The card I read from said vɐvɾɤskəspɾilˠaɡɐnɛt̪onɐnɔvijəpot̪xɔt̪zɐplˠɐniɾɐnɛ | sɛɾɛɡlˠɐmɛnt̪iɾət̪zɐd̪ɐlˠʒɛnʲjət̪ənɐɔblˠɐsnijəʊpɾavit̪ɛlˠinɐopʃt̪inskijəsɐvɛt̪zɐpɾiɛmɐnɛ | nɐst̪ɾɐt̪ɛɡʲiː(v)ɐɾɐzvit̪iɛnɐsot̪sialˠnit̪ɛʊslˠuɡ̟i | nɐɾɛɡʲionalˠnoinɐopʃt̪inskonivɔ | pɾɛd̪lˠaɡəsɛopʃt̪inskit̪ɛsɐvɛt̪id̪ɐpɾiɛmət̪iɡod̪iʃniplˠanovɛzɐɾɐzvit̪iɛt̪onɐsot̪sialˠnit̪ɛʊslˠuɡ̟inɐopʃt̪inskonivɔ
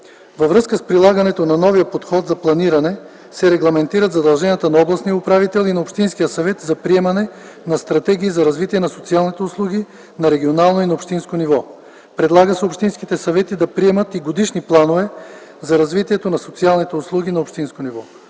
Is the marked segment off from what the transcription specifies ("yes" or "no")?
yes